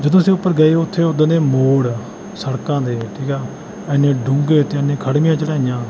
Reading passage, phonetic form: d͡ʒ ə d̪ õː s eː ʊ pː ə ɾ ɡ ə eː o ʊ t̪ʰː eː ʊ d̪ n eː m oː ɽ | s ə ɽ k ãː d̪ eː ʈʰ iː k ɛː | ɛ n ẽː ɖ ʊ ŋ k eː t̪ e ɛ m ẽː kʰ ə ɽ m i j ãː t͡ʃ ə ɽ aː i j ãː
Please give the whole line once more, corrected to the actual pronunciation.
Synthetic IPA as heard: d͡ʒ ə d̪ õː s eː ʊ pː ə ɾ ɡ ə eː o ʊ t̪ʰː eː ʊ d̪ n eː m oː ɽ | s ə ɽ k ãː d̪ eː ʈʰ iː k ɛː | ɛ n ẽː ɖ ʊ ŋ ɡ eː t̪ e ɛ n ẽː kʰ ə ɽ m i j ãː t͡ʃ ə ɽ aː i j ãː